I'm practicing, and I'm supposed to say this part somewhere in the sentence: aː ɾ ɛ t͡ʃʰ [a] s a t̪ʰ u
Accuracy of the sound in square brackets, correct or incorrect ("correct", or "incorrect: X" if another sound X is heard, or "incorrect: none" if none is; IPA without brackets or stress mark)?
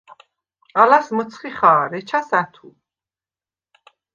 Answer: correct